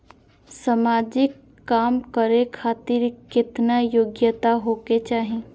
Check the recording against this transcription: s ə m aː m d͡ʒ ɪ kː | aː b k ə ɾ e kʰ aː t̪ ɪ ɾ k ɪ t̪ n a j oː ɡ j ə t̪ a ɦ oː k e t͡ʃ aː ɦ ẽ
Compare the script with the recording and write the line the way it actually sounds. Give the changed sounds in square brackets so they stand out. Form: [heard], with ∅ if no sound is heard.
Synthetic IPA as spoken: s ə m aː [∅] d͡ʒ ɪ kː | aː [m] k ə ɾ e kʰ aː t̪ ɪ ɾ k ɪ t̪ n a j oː ɡ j ə t̪ a ɦ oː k e t͡ʃ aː ɦ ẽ